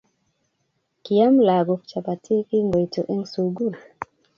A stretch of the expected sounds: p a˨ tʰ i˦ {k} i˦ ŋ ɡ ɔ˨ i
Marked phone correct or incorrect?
correct